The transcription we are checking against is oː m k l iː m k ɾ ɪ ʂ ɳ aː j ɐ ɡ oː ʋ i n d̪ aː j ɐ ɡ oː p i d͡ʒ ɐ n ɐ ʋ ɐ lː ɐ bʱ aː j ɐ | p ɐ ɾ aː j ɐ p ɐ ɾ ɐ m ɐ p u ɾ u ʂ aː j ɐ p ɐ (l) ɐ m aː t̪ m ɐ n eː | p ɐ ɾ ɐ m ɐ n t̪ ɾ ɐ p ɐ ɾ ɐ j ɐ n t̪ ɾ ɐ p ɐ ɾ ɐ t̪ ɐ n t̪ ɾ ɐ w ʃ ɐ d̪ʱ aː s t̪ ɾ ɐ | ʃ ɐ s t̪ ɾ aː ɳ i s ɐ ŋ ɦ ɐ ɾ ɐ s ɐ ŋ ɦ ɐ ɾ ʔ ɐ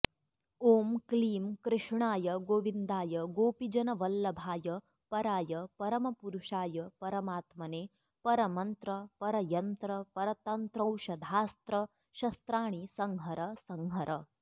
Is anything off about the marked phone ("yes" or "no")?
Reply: yes